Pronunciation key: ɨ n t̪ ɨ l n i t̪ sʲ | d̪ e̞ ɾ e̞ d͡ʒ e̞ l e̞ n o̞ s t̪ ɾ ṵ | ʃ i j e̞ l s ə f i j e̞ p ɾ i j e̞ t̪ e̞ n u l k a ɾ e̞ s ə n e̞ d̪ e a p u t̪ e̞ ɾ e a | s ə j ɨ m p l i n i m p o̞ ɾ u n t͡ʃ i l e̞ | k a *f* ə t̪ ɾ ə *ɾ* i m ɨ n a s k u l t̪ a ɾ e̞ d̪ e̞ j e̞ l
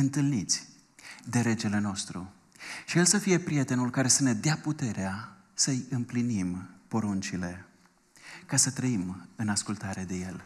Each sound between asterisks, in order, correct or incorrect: incorrect: s, incorrect: none

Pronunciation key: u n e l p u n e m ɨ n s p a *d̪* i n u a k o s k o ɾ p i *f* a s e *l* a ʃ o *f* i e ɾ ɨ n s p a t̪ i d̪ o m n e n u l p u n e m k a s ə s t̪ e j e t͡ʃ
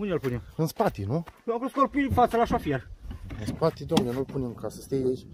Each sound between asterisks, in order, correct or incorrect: incorrect: t̪, correct, correct, correct

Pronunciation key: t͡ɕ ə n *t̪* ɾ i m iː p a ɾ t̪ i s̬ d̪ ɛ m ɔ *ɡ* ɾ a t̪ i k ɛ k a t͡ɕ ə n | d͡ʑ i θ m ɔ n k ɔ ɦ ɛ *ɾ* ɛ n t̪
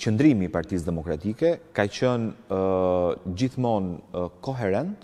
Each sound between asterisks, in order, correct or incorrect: incorrect: d̪, incorrect: k, correct

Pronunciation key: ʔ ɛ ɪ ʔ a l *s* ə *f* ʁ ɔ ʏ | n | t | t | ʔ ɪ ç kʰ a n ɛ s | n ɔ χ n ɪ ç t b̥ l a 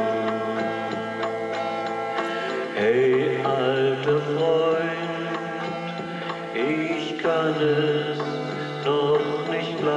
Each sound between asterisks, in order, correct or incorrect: incorrect: t, correct

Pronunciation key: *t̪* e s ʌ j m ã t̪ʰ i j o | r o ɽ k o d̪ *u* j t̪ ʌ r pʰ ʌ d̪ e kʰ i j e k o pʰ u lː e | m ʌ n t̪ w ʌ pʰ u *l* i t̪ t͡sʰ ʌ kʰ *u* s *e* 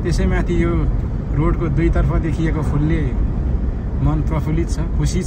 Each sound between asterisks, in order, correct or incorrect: correct, correct, correct, correct, incorrect: i

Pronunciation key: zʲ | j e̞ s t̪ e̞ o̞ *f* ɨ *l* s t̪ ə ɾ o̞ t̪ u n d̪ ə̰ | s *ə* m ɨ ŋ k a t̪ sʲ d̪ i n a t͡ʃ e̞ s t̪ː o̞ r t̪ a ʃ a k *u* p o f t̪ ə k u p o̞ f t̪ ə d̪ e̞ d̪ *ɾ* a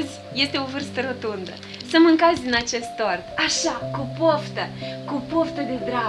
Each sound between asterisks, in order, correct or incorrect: incorrect: v, incorrect: r, correct, correct, correct

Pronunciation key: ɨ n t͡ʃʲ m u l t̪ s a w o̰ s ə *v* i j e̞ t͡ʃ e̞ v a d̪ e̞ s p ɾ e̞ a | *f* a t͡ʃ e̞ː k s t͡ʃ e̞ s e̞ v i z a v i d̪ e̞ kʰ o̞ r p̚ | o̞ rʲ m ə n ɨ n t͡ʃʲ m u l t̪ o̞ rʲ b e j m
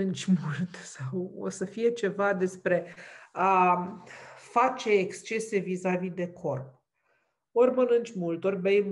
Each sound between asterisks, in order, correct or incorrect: incorrect: f, correct

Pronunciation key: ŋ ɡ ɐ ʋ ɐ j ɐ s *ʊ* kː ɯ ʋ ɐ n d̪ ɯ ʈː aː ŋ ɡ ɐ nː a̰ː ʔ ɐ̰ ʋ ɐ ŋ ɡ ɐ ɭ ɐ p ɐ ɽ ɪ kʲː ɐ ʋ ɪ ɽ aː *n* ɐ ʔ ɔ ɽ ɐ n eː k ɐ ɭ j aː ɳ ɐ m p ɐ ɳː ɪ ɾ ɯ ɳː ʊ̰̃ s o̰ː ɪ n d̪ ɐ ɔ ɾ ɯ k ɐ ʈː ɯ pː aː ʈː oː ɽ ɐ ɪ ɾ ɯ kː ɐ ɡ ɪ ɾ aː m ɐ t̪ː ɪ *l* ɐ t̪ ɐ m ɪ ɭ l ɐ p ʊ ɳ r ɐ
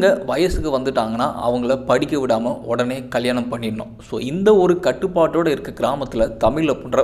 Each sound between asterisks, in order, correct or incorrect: incorrect: ɯ, incorrect: m, correct

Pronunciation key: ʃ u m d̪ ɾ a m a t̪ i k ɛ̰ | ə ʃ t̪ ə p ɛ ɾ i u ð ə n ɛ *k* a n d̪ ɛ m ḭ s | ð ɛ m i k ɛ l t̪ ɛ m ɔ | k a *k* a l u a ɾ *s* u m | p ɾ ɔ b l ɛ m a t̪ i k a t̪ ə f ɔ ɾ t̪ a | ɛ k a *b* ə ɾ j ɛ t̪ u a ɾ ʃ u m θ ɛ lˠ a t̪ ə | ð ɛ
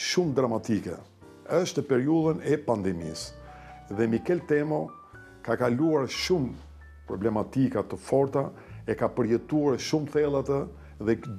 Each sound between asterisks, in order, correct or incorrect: incorrect: p, correct, incorrect: ʃ, incorrect: p

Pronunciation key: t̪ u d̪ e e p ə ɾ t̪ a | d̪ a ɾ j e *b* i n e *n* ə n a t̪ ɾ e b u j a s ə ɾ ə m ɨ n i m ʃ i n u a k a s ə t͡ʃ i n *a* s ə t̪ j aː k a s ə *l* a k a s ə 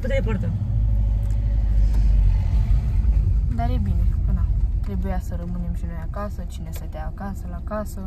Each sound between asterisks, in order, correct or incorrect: correct, incorrect: none, incorrect: e, correct

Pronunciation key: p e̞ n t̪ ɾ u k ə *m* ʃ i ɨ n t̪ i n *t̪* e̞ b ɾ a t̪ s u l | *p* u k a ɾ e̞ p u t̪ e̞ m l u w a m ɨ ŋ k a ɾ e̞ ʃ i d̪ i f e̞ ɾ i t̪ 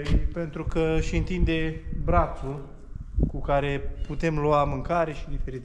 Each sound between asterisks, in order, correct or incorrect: incorrect: none, incorrect: d̪, incorrect: k

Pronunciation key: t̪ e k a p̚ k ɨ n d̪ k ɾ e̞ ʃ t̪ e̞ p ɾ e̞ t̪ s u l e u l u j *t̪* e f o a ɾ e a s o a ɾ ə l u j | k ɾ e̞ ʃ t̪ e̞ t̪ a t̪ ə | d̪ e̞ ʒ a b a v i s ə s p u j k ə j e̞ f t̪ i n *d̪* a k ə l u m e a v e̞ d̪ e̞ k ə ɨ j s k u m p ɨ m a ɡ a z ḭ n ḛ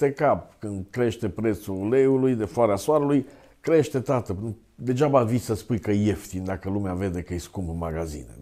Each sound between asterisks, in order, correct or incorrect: incorrect: d̪, correct

